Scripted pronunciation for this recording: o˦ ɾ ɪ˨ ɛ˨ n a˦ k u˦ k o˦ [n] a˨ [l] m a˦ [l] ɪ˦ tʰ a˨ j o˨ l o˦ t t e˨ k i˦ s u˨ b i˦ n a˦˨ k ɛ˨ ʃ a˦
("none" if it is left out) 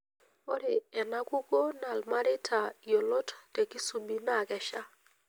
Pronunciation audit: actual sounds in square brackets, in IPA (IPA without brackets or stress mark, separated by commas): n, l, ɾ